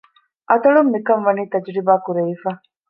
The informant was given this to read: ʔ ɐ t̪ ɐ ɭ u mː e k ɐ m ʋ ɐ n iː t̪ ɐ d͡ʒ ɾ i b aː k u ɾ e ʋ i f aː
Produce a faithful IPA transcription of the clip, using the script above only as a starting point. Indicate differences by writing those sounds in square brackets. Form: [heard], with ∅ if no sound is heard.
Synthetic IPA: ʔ ɐ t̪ ɐ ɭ u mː [i] k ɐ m ʋ ɐ n iː t̪ ɐ d͡ʒ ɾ i b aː k u ɾ e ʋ i f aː